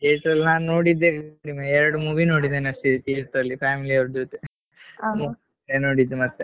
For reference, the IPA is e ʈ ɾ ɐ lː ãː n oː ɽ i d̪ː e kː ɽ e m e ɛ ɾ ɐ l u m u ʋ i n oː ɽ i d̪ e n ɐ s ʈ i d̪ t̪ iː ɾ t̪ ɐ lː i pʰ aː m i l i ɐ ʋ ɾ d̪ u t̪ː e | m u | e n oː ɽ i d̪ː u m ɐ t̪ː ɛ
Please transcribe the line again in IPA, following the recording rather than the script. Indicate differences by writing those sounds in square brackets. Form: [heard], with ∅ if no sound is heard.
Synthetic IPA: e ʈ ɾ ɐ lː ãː n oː ɽ i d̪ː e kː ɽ [i] m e ɛ ɾ ɐ [ɽ] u m u ʋ i n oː ɽ i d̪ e n ɐ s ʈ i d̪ t̪ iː ɾ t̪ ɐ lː i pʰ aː m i l i ɐ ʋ ɾ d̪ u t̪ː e | m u | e n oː ɽ i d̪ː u m ɐ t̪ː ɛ